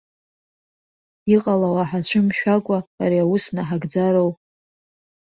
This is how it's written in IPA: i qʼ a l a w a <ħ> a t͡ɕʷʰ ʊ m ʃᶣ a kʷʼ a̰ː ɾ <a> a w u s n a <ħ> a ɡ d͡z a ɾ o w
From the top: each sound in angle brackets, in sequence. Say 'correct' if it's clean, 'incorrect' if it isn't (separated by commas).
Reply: correct, incorrect, correct